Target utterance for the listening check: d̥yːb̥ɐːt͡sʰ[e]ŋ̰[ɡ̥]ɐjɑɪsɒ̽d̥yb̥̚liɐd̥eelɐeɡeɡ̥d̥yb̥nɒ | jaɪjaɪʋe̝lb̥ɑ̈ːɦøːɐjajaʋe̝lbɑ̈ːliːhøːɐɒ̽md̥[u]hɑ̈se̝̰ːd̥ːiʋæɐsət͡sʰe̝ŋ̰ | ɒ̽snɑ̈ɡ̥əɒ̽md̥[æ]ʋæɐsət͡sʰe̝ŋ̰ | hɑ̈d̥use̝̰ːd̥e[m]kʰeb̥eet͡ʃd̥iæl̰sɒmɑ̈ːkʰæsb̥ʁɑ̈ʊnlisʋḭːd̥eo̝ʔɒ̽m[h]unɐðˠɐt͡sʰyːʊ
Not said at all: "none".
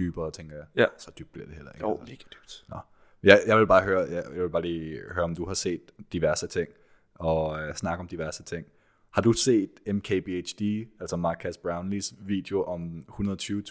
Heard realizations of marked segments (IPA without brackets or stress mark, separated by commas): e, ɡ̥, u, i, m, h